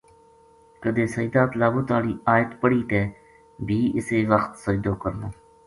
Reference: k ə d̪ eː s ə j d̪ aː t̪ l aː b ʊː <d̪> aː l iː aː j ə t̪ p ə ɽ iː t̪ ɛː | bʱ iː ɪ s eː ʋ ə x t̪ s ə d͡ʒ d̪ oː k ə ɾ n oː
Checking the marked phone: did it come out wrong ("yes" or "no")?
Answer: yes